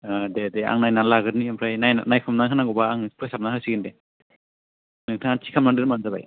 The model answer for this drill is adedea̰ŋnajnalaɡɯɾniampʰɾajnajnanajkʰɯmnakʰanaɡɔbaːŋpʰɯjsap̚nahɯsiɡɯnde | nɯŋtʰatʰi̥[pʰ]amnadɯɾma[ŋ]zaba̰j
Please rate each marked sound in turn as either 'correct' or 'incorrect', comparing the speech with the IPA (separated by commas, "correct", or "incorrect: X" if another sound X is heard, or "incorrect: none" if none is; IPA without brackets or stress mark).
incorrect: kʰ, incorrect: n